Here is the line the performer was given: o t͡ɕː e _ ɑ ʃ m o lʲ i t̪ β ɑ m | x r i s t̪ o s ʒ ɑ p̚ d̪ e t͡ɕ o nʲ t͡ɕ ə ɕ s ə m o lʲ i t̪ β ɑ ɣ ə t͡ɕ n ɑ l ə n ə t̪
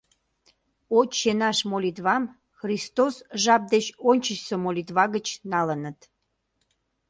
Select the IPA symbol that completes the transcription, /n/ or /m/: n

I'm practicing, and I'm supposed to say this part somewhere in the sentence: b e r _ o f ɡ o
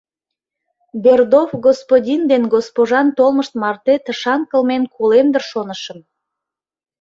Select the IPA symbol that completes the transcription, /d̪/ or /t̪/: d̪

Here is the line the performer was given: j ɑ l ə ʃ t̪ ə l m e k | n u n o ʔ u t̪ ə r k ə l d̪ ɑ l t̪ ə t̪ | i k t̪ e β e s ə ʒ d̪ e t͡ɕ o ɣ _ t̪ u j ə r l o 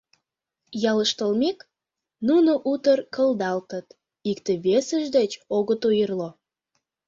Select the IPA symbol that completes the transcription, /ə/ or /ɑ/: ə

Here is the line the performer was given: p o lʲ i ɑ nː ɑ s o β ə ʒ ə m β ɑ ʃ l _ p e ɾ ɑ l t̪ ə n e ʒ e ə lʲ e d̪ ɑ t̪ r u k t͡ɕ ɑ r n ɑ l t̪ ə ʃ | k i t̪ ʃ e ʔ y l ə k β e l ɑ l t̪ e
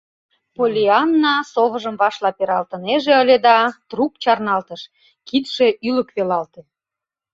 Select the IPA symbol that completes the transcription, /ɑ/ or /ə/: ɑ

